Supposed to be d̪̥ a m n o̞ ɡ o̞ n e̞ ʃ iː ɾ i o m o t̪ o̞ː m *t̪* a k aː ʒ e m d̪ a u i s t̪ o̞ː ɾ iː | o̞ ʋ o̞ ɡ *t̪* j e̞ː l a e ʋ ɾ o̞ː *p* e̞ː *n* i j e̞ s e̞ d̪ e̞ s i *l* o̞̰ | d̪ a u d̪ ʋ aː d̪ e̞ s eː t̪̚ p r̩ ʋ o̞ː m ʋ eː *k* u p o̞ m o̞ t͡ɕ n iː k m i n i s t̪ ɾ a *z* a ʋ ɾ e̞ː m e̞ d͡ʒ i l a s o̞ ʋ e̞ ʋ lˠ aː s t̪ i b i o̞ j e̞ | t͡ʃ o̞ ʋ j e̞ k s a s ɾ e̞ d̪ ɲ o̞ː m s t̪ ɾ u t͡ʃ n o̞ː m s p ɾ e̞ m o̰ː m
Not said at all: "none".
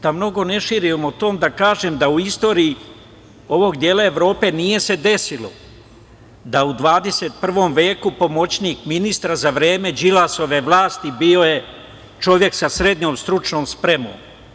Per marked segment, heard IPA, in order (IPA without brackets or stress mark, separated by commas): d̪, d̪, p, n, l, k, z